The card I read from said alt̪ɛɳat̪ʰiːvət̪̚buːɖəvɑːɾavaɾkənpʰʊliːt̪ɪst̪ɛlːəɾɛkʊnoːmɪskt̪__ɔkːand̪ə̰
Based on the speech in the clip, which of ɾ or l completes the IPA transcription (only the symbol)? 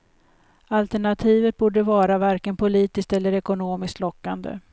l